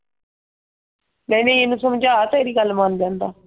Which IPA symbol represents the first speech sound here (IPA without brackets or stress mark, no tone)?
m